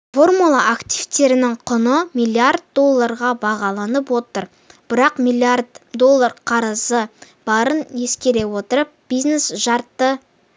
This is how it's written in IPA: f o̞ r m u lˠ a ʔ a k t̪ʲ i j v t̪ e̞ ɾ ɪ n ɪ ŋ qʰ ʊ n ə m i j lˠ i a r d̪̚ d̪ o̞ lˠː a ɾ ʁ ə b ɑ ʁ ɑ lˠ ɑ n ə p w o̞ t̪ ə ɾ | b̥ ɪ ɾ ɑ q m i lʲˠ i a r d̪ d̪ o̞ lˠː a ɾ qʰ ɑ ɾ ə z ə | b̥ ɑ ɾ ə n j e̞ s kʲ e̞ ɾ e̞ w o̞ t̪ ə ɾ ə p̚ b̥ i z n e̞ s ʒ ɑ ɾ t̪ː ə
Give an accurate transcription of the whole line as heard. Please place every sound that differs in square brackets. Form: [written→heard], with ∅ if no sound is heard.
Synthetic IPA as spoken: f o̞ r m u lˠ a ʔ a k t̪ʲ i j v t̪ e̞ ɾ ɪ n ɪ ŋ qʰ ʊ n ə m i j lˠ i a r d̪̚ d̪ o̞ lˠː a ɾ ʁ [ə→ɑ] b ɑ ʁ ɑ lˠ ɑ n ə p w o̞ t̪ ə ɾ | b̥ ɪ ɾ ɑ q m i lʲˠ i a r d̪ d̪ o̞ lˠː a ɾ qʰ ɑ ɾ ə z ə | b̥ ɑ ɾ ə n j e̞ s kʲ e̞ ɾ e̞ w o̞ t̪ ə ɾ ə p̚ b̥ i z n e̞ s ʒ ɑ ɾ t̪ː ə

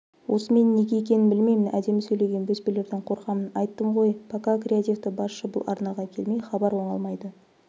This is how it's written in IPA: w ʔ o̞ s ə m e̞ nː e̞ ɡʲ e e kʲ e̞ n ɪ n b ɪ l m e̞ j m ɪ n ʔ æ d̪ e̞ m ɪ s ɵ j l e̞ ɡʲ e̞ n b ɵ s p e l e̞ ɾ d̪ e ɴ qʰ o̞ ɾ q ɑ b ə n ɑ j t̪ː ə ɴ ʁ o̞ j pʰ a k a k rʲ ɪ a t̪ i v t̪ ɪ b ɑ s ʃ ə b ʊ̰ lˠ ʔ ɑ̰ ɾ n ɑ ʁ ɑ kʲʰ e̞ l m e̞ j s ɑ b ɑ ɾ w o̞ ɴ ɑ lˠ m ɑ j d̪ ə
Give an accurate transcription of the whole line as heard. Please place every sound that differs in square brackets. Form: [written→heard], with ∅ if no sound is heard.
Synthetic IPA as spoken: w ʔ o̞ s ə m e̞ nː e̞ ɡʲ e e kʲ e̞ n ɪ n b ɪ l m e̞ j m ɪ n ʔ æ d̪ e̞ m ɪ s ɵ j l e̞ ɡʲ e̞ n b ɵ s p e l e̞ ɾ d̪ e ɴ qʰ o̞ ɾ q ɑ [b→m] ə n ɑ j t̪ː ə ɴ ʁ o̞ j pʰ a k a k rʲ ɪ a t̪ i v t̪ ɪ b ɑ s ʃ ə b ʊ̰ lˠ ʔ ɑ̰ ɾ n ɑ ʁ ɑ kʲʰ e̞ l m e̞ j [s→χ] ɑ b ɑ ɾ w o̞ ɴ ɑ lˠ m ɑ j d̪ ə

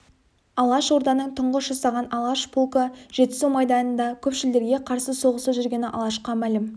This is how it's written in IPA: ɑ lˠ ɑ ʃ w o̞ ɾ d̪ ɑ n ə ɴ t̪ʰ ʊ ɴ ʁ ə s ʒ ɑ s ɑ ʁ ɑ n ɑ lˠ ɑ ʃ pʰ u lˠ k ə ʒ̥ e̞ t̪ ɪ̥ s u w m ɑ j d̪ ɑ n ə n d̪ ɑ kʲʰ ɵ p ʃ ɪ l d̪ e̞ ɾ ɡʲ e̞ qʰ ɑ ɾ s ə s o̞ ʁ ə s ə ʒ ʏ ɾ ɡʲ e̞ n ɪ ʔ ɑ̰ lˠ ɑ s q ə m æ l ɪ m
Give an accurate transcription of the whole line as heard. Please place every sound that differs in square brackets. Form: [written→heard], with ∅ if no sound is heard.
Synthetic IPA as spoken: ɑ lˠ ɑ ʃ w o̞ ɾ d̪ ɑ n ə ɴ t̪ʰ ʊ ɴ ʁ ə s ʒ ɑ s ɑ ʁ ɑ n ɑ lˠ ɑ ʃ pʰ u lˠ k ə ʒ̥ e̞ t̪ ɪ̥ s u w m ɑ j d̪ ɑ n ə n d̪ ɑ kʲʰ ɵ p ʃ ɪ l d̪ e̞ ɾ ɡʲ e̞ qʰ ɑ ɾ s ə s o̞ ʁ ə s ə ʒ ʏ ɾ ɡʲ e̞ n ɪ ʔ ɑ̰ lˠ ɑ [s→ʃ] q [ə→ɑ] m æ l ɪ m

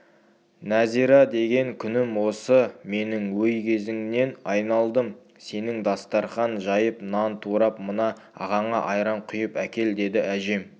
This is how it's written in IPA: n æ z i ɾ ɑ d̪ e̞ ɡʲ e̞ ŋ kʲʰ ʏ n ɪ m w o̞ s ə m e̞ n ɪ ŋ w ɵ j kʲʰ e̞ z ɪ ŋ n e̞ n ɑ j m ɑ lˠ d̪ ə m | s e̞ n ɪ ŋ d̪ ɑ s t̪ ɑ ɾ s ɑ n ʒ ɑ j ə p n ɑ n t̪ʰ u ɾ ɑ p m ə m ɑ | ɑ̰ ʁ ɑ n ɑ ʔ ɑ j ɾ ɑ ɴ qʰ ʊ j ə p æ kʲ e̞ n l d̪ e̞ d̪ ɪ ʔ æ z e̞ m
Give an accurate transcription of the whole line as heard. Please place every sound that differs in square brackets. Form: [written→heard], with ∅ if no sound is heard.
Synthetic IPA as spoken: n æ z i ɾ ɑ d̪ e̞ ɡʲ e̞ ŋ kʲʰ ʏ n ɪ m w o̞ s ə m e̞ n ɪ ŋ w ɵ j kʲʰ e̞ z ɪ ŋ n e̞ n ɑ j [m→n] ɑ lˠ d̪ ə m | s e̞ n ɪ ŋ d̪ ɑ s t̪ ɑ ɾ [s→χ] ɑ n ʒ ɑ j ə p n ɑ n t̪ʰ u ɾ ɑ p m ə [m→n] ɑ | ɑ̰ ʁ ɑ [n→ɴ] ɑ ʔ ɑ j ɾ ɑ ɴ qʰ ʊ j ə p æ kʲ e̞ [n→∅] l d̪ e̞ d̪ ɪ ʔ æ [z→ʒ] e̞ m

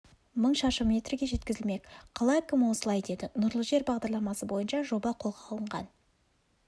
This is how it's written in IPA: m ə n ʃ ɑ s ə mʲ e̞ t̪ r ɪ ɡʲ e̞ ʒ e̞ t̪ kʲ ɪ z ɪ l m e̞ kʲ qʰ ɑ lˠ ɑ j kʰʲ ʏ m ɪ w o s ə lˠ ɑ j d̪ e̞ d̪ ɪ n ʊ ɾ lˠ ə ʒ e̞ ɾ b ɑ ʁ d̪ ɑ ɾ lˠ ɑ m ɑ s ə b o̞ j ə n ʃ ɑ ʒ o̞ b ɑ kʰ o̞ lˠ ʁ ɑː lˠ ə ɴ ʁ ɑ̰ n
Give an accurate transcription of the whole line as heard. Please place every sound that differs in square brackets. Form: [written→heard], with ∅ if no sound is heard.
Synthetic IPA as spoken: m ə [n→ɴ] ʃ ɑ [s→ʃ] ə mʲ e̞ t̪ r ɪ ɡʲ e̞ ʒ e̞ t̪ kʲ ɪ z ɪ l m e̞ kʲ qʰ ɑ lˠ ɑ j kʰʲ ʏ m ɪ w o s ə lˠ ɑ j d̪ e̞ d̪ ɪ n ʊ ɾ lˠ ə ʒ e̞ ɾ b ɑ ʁ d̪ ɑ ɾ lˠ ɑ m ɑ s ə b o̞ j ə n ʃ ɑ ʒ o̞ b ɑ [kʰ→qʰ] o̞ lˠ ʁ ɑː lˠ ə ɴ ʁ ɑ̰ n

